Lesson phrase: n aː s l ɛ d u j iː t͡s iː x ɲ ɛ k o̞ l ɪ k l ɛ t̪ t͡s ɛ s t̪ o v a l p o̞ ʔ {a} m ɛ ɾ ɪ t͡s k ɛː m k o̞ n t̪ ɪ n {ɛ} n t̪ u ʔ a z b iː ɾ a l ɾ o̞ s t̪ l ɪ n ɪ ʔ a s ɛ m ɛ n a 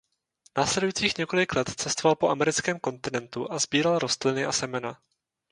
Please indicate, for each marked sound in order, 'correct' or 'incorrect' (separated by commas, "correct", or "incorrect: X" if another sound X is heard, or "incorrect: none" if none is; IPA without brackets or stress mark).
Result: correct, correct